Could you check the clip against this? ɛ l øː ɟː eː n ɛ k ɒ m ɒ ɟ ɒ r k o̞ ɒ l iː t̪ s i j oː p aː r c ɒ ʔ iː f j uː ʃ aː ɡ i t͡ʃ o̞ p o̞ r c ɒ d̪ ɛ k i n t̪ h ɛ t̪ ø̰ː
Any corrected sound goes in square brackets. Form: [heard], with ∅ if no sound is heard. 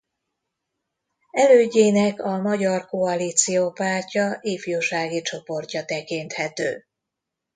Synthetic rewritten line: ɛ l øː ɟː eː n ɛ k ɒ m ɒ ɟ ɒ r k o̞ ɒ l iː t̪ s i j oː p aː r c ɒ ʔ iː f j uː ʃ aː ɡ i t͡ʃ o̞ p o̞ r c ɒ [t̪] ɛ k i n t̪ h ɛ t̪ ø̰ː